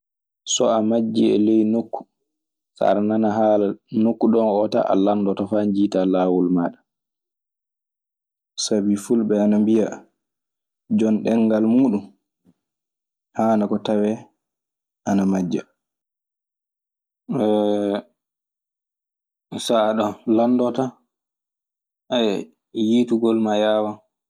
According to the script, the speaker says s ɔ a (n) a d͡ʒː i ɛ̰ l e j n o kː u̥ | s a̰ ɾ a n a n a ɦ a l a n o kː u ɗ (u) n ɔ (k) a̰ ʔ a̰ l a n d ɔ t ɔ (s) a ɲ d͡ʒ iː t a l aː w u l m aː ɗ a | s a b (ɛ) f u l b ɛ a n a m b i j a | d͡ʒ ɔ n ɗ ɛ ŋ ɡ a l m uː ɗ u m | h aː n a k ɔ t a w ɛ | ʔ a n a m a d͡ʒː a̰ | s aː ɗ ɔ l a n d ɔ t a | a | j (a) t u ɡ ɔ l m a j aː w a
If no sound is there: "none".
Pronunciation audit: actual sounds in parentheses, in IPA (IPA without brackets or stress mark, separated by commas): m, ɔ, t, f, i, i